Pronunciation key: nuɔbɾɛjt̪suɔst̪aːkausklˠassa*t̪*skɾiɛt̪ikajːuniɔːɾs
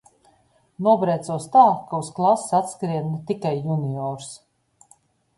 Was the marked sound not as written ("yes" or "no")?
no